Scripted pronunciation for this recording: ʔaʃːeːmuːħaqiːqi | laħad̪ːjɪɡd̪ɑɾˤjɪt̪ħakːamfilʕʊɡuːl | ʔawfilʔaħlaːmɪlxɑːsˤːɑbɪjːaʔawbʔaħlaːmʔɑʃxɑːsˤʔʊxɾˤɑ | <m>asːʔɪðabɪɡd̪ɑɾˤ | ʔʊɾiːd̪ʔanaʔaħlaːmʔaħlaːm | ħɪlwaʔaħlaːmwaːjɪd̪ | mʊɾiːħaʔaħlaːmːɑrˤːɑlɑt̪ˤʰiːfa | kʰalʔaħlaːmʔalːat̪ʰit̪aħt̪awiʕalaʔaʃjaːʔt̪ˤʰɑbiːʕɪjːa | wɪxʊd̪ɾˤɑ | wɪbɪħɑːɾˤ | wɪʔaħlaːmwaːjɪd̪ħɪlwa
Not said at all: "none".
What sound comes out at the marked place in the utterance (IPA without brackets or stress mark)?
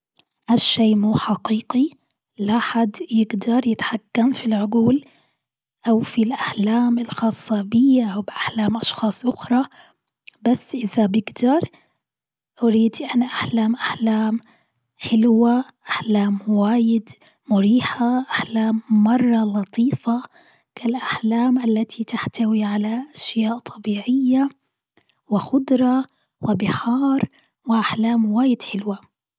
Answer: b